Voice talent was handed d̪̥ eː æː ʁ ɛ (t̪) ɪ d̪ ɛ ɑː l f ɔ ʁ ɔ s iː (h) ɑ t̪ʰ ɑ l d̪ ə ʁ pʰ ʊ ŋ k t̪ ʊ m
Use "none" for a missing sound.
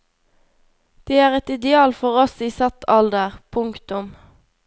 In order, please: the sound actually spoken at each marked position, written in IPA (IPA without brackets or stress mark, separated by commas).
t̪, s